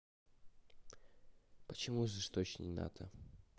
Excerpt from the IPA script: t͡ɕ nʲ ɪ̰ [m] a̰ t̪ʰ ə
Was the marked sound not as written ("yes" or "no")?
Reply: yes